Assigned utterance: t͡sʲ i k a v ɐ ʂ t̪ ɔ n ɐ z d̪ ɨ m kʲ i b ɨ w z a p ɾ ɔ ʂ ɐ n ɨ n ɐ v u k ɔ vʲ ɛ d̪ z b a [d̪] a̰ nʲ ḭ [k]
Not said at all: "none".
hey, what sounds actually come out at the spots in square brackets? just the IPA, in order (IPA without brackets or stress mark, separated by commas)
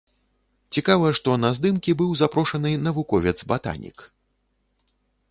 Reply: t̪, k